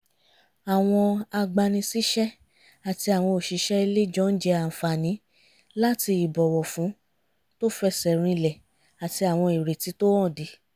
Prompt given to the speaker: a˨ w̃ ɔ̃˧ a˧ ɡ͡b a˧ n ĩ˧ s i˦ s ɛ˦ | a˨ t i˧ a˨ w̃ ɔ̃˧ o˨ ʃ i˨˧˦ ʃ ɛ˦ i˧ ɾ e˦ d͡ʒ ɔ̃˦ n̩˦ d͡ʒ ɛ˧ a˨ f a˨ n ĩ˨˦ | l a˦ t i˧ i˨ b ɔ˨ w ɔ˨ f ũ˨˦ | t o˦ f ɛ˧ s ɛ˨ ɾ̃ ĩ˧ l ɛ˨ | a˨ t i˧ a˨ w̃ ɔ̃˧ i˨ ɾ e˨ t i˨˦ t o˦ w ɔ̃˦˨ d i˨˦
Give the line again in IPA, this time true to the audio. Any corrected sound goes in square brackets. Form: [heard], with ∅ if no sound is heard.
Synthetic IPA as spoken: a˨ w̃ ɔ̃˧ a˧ ɡ͡b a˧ n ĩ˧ s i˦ [ʃ] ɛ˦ | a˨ t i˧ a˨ w̃ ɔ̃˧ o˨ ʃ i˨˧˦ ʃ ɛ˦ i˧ [l] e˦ d͡ʒ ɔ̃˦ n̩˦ d͡ʒ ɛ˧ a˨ f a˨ n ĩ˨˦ | l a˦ t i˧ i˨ b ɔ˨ w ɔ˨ f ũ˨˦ | t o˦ f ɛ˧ s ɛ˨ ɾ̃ ĩ˧ l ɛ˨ | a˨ t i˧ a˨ w̃ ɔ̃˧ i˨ ɾ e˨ t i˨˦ t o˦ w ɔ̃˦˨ d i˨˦